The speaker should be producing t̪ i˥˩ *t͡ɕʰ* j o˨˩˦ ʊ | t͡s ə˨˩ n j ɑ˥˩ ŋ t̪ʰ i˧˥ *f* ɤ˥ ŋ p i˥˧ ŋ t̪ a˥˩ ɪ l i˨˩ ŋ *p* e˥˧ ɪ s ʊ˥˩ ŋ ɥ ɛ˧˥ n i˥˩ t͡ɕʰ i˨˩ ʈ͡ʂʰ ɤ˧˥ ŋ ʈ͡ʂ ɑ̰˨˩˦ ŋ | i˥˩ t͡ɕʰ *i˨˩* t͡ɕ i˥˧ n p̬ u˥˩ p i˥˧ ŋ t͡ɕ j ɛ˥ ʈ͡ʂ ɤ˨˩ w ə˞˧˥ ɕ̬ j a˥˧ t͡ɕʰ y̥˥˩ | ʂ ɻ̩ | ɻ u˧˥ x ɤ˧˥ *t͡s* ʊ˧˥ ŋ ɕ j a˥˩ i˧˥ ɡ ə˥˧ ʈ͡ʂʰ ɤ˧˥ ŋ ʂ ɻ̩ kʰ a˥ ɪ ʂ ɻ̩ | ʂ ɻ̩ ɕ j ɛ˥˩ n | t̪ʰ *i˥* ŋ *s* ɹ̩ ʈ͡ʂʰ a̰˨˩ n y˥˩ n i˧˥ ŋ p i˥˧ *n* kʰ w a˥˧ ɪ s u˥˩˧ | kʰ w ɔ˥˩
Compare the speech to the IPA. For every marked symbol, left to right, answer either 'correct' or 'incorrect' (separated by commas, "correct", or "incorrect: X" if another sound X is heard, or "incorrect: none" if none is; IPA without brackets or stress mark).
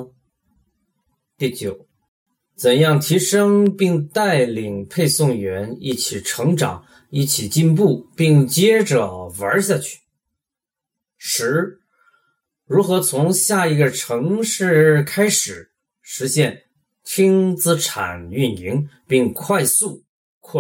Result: incorrect: t͡ɕ, incorrect: ʂ, incorrect: pʰ, correct, incorrect: t͡sʰ, correct, incorrect: t͡s, incorrect: ŋ